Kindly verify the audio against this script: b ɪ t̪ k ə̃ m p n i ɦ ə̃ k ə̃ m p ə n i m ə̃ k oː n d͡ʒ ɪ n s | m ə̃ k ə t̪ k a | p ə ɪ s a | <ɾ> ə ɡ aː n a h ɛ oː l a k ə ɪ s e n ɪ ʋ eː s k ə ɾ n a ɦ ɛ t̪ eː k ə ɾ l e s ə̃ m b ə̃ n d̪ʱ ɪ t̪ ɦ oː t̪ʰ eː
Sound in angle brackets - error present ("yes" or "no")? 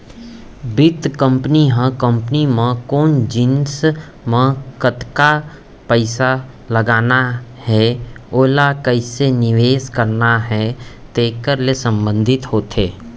yes